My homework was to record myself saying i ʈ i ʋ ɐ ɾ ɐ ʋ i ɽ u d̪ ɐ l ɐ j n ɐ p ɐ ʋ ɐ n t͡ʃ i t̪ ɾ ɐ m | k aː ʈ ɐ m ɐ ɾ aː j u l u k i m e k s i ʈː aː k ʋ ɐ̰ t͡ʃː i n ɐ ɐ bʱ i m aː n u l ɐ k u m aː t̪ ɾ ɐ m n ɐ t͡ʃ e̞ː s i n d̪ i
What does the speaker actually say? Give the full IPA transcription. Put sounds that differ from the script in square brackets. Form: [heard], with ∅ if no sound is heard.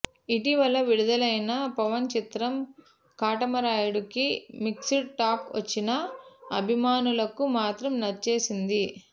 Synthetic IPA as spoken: i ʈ i ʋ ɐ [l] ɐ ʋ i ɽ u d̪ ɐ l ɐ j n ɐ p ɐ ʋ ɐ n t͡ʃ i t̪ ɾ ɐ m | k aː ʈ ɐ m ɐ ɾ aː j u [ɽ] u k i m [i] k s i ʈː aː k ʋ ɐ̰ t͡ʃː i n ɐ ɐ bʱ i m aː n u l ɐ k u m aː t̪ ɾ ɐ m n ɐ t͡ʃ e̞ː s i n d̪ i